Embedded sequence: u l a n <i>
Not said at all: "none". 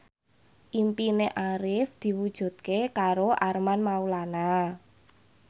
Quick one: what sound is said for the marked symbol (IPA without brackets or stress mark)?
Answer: a